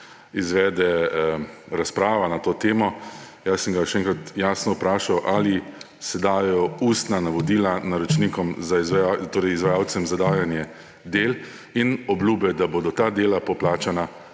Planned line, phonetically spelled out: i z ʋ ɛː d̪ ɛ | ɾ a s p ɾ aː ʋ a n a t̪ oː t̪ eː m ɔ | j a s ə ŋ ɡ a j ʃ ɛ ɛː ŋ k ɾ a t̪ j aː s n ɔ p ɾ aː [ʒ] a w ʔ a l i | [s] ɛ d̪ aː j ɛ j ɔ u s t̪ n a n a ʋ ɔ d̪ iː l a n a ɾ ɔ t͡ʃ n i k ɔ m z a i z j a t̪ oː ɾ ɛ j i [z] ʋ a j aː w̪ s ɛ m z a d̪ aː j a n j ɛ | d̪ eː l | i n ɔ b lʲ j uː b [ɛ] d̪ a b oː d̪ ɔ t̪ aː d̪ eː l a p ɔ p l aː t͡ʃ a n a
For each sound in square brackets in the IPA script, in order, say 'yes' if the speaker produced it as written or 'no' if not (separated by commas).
no, yes, yes, yes